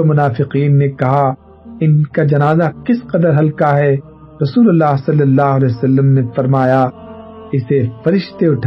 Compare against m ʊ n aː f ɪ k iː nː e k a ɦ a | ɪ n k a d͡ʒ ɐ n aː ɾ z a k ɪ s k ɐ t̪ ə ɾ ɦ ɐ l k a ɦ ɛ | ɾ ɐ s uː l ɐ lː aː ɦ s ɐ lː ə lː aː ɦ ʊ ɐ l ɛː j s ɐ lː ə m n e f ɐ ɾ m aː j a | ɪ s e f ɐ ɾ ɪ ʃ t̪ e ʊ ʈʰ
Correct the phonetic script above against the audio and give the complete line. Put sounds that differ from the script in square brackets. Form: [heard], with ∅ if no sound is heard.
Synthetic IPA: m ʊ n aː f ɪ [q] iː nː e k [ɐ] ɦ a | ɪ n k a d͡ʒ ɐ n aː [∅] z a k ɪ s [q] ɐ [d̪] ə ɾ ɦ ɐ l k a ɦ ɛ | ɾ ɐ s uː l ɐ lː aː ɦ s ɐ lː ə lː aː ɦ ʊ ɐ l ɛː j s ɐ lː ə m n e f ɐ ɾ m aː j a | ɪ s e f ɐ ɾ ɪ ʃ t̪ e ʊ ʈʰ